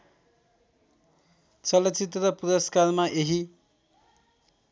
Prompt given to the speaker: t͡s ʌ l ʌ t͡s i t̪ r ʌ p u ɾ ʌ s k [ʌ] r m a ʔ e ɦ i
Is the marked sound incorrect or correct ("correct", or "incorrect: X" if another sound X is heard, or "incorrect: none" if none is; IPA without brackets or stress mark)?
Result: incorrect: a